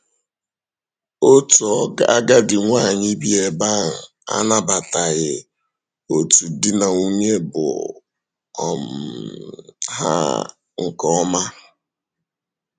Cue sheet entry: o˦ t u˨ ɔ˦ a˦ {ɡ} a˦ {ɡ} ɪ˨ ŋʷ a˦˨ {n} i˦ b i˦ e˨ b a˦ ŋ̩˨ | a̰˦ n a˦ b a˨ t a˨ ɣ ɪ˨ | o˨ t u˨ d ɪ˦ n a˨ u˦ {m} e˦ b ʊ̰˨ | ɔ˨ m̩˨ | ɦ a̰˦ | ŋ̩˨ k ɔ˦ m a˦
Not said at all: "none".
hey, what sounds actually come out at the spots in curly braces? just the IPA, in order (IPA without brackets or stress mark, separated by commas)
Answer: ɡ, d, ɲ, ɲ